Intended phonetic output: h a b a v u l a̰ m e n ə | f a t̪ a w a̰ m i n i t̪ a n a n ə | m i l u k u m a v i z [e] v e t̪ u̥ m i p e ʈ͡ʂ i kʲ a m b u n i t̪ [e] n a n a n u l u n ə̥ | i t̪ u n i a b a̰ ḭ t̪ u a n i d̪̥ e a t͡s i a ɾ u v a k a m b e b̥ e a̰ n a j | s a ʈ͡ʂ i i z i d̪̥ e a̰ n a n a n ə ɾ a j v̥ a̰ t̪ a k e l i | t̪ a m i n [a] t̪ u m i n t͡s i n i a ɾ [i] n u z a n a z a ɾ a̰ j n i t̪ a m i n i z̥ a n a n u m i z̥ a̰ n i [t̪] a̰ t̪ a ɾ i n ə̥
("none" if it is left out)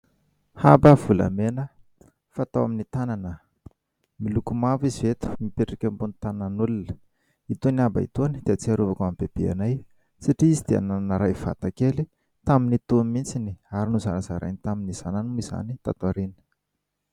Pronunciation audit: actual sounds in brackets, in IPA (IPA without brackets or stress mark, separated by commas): i, a, i, i, t̪